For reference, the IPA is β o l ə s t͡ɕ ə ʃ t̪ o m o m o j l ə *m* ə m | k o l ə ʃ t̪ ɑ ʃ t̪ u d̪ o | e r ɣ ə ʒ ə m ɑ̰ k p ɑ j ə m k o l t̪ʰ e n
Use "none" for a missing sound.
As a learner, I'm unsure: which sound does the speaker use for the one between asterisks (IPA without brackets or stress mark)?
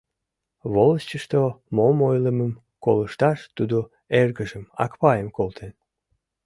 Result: m